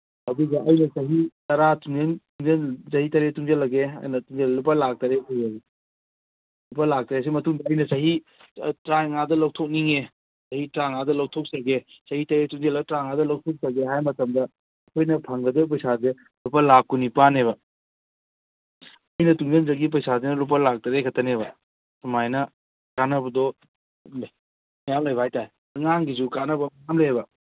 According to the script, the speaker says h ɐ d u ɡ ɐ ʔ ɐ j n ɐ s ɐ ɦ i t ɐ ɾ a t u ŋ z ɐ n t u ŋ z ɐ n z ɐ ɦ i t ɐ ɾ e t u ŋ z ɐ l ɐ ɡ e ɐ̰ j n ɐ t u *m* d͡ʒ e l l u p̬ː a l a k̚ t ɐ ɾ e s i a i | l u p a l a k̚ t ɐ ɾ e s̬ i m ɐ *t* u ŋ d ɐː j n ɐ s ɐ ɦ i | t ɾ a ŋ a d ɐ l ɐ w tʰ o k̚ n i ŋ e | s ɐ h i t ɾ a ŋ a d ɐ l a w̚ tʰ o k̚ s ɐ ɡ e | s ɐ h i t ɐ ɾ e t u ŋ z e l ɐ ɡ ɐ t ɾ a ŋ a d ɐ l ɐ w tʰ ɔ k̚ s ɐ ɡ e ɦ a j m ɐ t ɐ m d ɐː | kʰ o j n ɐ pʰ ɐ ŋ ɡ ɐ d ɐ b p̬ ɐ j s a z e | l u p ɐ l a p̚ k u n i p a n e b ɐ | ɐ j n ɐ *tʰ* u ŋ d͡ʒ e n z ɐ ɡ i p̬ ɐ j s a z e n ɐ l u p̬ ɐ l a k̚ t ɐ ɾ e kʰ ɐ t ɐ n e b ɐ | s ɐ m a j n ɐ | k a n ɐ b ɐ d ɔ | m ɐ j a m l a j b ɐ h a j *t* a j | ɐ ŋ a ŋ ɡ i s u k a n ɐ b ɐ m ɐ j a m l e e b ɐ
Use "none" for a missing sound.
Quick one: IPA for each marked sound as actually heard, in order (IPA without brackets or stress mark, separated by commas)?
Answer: ŋ, t, t, t